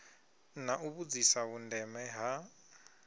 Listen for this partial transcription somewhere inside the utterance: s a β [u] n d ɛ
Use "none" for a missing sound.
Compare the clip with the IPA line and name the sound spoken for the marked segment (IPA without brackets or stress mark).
u